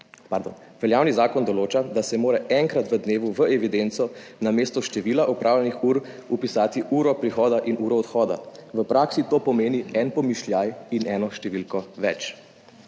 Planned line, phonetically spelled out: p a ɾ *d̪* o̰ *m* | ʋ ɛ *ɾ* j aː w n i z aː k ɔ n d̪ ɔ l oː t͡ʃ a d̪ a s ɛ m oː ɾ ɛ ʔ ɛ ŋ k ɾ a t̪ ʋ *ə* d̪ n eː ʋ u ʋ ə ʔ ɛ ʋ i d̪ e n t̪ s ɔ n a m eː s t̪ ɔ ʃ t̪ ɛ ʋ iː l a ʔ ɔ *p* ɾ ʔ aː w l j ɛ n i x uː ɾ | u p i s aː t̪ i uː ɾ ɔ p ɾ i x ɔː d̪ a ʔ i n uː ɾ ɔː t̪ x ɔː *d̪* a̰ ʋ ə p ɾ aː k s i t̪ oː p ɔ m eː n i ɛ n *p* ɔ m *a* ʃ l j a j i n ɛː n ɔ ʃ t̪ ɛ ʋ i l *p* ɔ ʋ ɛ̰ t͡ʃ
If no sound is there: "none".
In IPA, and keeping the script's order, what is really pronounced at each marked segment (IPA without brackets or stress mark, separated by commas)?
d̪, n, l, ə, p, d̪, p, i, k